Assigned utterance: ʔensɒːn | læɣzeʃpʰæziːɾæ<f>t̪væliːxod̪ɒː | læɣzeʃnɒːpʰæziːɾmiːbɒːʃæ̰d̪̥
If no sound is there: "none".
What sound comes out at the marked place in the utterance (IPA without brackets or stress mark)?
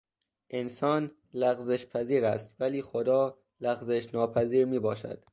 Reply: s